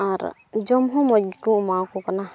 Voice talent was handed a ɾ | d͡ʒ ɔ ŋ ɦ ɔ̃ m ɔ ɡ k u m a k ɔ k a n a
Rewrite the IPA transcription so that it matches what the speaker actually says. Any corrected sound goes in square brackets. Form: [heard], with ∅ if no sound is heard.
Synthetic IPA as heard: a ɾ | d͡ʒ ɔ [m] ɦ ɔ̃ m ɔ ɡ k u m a k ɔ k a n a